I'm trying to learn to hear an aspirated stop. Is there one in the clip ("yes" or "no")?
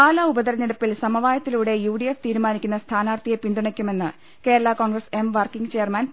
yes